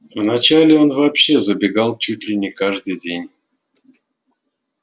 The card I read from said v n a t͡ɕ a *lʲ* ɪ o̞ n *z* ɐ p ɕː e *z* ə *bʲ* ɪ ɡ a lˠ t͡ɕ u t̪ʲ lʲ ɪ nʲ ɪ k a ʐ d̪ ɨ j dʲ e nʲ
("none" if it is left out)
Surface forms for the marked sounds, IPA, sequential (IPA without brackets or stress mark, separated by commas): lʲ, v, z, bʲ